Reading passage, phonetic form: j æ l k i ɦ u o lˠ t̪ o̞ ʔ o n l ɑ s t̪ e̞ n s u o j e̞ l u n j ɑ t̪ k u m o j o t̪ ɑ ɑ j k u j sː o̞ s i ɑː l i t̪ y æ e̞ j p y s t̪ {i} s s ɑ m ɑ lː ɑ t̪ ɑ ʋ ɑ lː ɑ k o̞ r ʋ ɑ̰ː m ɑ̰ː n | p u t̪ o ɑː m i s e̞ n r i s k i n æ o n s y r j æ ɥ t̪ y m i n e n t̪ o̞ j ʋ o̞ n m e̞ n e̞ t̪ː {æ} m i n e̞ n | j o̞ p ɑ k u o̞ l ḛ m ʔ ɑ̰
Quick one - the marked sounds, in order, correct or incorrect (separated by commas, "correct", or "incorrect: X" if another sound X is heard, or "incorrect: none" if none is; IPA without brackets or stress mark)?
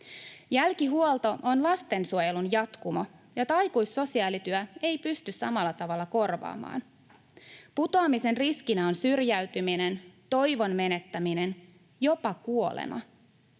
incorrect: y, correct